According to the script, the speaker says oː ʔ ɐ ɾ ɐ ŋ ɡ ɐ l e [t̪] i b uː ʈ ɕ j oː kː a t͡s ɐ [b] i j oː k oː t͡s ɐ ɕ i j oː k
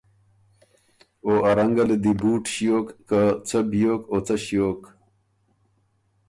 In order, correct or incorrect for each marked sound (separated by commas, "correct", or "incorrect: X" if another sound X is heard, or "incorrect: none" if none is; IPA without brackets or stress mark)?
incorrect: d̪, correct